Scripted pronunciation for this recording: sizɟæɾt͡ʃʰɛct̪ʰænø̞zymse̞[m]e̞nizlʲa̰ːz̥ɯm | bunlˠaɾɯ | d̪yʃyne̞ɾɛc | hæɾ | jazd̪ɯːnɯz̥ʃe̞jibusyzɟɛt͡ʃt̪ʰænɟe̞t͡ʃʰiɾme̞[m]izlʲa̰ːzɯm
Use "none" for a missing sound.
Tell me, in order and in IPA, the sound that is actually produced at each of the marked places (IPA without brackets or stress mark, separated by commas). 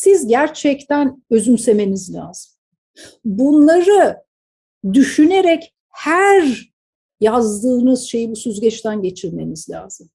m, n